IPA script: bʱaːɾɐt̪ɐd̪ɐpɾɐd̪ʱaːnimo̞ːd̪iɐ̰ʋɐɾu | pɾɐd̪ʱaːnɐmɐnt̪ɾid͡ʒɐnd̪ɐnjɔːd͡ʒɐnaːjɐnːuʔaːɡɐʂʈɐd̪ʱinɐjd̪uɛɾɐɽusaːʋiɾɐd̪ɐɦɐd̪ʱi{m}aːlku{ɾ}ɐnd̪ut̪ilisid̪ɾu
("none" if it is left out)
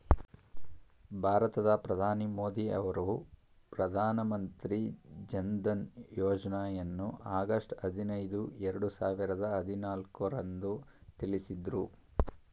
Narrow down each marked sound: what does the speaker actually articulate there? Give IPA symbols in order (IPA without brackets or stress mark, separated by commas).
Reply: n, ɾ